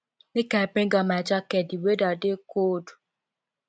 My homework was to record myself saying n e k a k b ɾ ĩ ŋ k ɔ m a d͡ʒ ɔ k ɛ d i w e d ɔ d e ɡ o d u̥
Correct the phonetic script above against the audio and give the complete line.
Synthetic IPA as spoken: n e k a b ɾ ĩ ŋ ɡ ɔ m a d͡ʒ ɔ k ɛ d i w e d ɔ d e k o d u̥